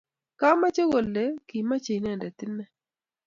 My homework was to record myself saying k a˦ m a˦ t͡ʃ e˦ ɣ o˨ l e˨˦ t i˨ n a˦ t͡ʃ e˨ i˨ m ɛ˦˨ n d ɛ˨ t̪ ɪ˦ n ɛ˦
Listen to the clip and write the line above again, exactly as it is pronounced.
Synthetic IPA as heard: k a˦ m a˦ t͡ʃ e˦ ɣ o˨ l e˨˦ k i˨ m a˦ t͡ʃ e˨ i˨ n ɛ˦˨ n d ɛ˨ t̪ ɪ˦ n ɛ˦